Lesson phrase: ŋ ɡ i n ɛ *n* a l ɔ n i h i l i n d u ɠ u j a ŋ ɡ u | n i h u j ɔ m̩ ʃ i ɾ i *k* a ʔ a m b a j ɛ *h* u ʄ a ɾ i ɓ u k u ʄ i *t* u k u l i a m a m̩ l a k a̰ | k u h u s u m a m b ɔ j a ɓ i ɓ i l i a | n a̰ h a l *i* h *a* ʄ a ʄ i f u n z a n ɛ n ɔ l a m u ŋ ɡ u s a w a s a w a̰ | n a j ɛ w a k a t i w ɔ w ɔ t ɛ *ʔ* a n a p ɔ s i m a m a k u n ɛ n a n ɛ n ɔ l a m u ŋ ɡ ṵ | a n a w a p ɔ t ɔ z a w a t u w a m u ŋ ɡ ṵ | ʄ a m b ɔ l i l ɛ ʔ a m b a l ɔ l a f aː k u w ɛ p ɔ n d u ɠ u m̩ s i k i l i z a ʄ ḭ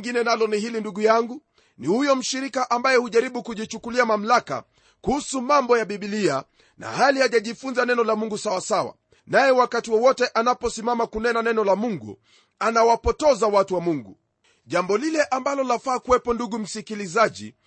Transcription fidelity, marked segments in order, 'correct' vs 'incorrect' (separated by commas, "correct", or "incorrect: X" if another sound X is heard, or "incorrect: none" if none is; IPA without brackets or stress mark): correct, correct, correct, incorrect: t͡ʃ, correct, correct, correct